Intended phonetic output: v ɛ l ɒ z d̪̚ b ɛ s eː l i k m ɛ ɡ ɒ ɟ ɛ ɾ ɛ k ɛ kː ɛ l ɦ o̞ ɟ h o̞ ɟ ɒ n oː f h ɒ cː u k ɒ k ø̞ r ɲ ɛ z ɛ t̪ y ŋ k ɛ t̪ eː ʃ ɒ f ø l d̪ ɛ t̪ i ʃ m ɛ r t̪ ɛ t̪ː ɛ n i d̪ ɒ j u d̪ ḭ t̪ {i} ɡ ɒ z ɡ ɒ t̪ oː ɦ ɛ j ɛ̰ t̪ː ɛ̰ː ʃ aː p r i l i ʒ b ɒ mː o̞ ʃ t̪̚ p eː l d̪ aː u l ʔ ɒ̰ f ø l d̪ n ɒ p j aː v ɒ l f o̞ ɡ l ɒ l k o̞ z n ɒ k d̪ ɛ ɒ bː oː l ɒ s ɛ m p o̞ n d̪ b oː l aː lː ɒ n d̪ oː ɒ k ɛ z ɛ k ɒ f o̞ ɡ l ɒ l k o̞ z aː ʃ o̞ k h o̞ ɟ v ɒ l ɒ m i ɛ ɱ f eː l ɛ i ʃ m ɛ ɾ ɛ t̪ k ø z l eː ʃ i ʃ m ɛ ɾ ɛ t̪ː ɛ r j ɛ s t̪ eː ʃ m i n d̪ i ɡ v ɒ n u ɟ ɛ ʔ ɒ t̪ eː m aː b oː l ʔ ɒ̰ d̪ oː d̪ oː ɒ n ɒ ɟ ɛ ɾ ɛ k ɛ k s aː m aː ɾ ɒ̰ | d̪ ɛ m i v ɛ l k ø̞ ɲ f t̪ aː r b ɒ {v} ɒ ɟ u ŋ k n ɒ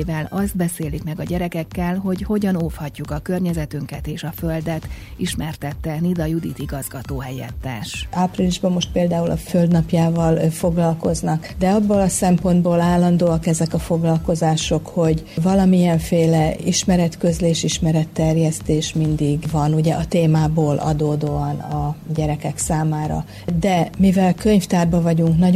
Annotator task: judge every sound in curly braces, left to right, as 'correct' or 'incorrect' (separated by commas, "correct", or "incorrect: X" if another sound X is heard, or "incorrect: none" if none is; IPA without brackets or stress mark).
correct, correct